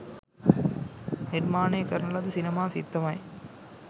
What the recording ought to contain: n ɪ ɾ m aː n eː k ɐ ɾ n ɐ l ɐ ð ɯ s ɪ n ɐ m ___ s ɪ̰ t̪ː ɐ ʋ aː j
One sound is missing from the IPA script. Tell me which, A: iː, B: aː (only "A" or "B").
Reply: B